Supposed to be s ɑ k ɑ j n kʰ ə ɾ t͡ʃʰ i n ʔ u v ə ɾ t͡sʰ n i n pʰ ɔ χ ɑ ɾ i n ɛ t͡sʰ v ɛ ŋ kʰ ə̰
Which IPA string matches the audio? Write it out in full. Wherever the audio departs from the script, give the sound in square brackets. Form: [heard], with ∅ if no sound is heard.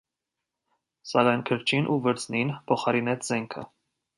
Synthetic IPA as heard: s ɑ k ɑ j n kʰ ə ɾ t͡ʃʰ i n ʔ u v ə ɾ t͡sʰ n i n pʰ ɔ χ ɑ ɾ i n ɛ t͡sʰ [z] ɛ ŋ kʰ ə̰